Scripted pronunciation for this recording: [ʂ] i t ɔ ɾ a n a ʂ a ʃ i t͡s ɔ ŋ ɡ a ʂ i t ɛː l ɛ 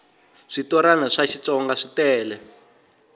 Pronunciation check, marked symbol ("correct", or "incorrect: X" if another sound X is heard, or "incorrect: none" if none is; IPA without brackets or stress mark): correct